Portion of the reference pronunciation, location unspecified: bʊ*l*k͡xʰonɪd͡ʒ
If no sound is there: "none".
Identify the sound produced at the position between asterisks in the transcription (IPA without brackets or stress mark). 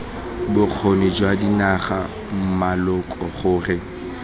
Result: none